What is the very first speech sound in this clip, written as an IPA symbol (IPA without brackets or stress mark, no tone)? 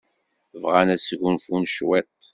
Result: v